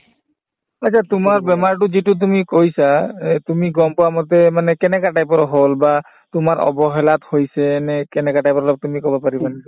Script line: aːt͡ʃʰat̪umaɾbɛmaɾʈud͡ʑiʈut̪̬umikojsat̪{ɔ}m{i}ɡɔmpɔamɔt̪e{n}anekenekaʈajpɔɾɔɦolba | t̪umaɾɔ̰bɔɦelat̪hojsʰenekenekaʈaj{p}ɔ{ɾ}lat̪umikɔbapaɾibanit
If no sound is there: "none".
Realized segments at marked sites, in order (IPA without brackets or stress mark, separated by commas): u, i, m, p, ɾ